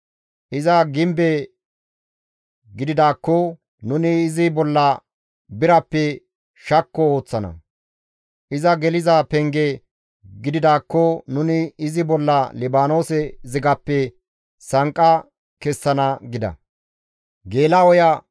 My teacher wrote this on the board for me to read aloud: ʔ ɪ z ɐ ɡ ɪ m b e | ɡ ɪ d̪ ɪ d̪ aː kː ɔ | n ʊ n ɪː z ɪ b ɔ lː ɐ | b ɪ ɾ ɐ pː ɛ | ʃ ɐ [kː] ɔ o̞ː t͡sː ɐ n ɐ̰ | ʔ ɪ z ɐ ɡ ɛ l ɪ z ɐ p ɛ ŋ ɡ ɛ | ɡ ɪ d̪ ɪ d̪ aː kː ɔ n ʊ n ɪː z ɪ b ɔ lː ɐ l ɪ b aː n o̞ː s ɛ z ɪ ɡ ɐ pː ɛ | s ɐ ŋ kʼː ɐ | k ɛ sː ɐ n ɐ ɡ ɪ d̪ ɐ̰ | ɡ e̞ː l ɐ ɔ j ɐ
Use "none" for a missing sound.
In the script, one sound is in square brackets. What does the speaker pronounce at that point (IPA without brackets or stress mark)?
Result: kː